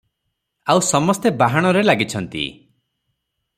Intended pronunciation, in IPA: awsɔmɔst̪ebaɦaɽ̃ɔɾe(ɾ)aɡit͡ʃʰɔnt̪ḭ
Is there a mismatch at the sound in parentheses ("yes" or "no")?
yes